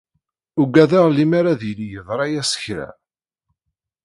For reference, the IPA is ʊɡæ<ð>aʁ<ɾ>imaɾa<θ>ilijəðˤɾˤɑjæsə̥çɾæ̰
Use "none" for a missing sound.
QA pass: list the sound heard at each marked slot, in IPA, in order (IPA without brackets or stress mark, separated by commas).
ð, l, ð